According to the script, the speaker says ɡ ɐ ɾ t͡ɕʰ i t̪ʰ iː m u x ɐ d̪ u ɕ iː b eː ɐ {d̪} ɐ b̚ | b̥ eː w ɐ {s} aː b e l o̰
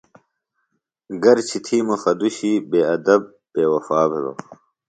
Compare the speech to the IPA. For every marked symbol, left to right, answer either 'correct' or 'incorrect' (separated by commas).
correct, incorrect